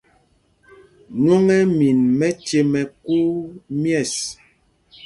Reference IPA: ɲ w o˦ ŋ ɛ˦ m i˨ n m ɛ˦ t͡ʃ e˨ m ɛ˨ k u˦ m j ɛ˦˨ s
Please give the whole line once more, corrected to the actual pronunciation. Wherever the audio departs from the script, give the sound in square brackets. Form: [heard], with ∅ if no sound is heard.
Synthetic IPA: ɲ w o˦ ŋ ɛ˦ m i˨ n m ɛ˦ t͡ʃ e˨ m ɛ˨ k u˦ m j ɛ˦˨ s